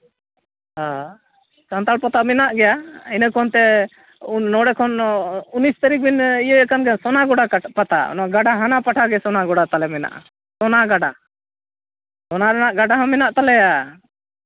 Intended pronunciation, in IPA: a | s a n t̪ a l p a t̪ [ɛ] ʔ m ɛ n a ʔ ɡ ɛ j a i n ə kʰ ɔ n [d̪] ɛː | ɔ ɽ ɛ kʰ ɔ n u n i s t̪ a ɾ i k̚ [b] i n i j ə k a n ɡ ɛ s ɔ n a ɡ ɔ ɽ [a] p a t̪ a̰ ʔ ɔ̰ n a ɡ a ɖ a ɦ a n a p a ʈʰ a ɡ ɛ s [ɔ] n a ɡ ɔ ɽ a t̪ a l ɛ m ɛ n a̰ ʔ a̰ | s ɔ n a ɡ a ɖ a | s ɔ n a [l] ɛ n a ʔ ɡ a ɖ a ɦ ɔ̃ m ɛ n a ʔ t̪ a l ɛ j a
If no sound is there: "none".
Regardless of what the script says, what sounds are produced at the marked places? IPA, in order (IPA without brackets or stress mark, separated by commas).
a, t̪, b, a, ɔ, ɾ